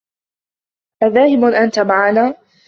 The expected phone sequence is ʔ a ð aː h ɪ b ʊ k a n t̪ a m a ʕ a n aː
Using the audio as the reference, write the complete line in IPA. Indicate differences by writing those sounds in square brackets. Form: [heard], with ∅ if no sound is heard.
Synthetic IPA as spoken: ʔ a ð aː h ɪ b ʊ [ʔ] a n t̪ a m a ʕ a n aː